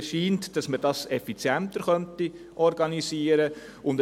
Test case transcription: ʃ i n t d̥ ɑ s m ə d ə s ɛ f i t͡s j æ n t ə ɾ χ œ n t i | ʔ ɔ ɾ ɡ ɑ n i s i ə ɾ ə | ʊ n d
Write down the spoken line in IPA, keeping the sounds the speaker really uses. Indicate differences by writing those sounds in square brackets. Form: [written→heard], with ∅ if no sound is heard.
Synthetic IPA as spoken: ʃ [i→iː] n t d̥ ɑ s m ə d [ə→ɑ] s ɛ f i t͡s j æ n t ə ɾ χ œ n t i | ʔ ɔ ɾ ɡ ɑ n i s i ə ɾ ə | ʊ n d